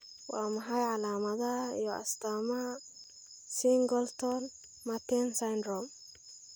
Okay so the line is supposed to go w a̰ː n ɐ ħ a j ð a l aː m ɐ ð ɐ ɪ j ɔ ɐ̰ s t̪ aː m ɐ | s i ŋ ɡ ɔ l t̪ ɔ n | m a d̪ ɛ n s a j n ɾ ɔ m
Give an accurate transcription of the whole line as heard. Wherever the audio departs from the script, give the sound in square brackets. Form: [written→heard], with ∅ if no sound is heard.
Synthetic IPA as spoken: w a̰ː [n→m] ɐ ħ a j [ð→ʕ] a l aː m ɐ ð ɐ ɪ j ɔ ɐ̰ s t̪ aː m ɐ | s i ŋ ɡ ɔ l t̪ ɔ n | m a [d̪→t̪] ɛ n s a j n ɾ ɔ m